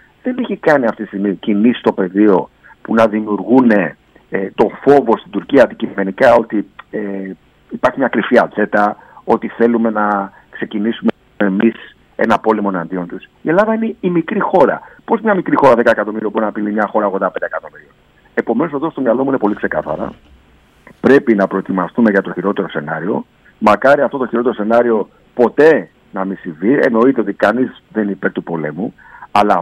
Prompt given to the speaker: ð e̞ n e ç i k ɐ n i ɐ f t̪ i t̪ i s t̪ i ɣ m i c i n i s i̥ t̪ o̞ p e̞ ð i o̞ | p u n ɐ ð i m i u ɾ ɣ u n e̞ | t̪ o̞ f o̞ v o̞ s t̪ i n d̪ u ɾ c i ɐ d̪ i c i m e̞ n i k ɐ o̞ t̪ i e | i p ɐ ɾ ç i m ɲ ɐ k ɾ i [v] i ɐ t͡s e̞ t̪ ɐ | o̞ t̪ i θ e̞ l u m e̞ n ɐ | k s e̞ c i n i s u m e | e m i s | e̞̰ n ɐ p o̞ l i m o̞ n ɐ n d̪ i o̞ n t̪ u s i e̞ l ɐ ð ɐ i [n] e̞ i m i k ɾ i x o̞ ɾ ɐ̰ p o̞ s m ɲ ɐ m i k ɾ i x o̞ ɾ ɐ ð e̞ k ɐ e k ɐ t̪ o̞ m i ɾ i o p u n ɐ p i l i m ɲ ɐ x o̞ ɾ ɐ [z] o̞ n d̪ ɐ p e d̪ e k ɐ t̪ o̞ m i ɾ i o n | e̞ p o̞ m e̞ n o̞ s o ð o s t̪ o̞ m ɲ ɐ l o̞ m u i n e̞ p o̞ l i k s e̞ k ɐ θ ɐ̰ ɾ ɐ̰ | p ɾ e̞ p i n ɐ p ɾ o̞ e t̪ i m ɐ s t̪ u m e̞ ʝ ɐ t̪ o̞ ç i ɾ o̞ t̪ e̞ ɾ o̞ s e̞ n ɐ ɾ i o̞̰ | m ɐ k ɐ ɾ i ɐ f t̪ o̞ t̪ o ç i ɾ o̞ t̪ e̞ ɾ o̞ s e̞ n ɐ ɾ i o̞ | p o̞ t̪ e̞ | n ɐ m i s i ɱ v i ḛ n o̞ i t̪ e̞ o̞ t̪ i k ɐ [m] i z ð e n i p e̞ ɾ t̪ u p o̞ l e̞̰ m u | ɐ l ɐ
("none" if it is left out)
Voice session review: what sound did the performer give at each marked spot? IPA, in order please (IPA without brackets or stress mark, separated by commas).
f, n, ɣ, n